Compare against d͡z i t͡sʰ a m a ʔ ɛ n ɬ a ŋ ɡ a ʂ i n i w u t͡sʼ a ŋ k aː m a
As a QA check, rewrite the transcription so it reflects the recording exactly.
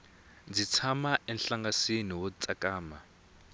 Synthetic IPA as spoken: d͡z i t͡sʰ a m a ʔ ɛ n ɬ a ŋ ɡ a s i n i w ɔ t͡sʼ a k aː m a